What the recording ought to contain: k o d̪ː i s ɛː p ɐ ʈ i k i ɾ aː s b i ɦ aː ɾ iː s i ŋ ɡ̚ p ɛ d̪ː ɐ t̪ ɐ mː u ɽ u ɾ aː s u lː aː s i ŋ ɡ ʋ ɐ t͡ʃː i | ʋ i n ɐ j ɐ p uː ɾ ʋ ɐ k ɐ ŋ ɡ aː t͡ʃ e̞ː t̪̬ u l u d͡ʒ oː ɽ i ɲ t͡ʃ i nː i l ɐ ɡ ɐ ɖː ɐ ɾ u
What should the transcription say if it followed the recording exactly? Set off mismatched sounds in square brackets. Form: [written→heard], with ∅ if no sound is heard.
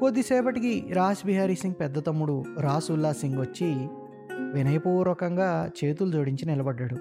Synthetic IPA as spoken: k o d̪ː i s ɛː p ɐ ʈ i k i ɾ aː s b i ɦ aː ɾ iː s i ŋ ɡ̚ p ɛ d̪ː ɐ t̪ ɐ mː u ɽ u ɾ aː s u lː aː s i ŋ ɡ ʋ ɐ t͡ʃː i | ʋ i n ɐ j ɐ p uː ɾ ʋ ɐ k ɐ ŋ ɡ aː t͡ʃ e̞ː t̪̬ u l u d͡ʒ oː ɽ i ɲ t͡ʃ i [nː→n] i l ɐ [ɡ→b] ɐ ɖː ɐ [ɾ→ɽ] u